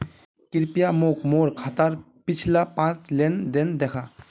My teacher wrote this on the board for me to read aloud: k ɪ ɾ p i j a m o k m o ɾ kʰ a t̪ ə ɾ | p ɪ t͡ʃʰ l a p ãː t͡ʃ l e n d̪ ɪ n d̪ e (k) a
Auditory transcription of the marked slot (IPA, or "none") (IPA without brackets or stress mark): kʰ